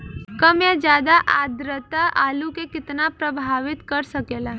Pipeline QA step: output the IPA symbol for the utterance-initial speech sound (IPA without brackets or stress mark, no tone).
k